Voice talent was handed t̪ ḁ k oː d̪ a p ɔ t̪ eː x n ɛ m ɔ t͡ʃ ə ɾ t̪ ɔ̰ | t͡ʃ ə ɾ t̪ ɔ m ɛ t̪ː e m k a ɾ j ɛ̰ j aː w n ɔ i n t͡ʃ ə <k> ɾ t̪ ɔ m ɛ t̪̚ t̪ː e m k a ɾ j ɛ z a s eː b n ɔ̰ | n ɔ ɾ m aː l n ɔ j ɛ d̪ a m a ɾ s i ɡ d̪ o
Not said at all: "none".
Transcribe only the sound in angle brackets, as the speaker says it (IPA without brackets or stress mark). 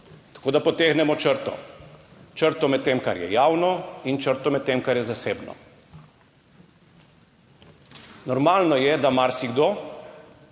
none